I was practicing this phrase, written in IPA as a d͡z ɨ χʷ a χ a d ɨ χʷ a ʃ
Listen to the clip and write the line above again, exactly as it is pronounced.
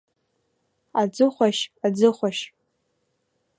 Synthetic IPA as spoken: a d͡z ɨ χʷ a ʃ a d͡z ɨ χʷ a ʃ